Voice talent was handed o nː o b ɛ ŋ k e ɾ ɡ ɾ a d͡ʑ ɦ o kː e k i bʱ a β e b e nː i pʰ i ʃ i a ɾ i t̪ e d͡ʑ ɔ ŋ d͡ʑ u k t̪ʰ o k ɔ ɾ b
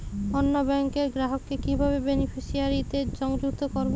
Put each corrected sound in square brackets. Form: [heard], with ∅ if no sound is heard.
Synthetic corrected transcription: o nː o b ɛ ŋ k e ɾ ɡ ɾ a [∅] ɦ o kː e k i bʱ a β e b e [n] i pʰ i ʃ i a ɾ i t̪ e d͡ʑ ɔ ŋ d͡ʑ u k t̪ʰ o k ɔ ɾ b